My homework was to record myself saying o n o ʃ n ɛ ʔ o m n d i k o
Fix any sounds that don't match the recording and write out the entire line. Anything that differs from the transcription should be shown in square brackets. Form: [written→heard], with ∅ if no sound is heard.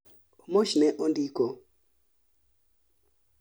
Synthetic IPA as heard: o [n→m] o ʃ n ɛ ʔ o [m→∅] n d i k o